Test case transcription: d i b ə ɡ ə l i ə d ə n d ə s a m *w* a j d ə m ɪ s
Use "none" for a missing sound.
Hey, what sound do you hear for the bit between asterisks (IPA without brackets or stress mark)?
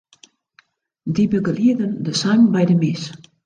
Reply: b